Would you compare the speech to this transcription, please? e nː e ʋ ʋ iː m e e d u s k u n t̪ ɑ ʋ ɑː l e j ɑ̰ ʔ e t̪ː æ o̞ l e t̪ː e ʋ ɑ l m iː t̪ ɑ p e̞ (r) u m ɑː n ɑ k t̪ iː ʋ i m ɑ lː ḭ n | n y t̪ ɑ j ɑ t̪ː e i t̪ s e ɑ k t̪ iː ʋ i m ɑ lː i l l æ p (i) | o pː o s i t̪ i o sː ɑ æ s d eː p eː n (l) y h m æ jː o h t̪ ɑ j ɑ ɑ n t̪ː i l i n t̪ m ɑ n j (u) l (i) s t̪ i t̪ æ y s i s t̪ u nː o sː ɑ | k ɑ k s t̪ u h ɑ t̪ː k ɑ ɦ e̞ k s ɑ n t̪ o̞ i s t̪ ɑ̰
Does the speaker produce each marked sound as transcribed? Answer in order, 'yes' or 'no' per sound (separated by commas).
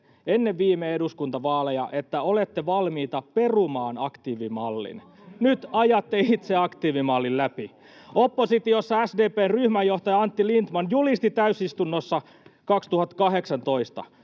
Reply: yes, yes, no, yes, yes